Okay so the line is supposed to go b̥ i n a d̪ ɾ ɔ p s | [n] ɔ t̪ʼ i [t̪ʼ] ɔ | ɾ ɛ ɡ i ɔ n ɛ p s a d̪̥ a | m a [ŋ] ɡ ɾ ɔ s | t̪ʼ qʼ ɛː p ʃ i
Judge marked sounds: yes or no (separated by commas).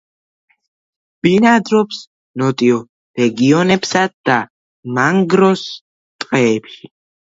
yes, no, yes